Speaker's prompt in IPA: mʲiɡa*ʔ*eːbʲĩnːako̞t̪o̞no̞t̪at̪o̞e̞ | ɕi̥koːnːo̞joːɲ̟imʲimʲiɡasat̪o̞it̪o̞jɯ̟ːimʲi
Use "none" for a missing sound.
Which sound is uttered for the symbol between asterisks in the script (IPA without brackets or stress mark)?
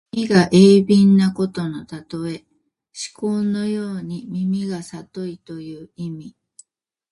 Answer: ʔ